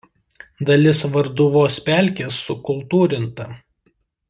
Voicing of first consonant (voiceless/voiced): voiced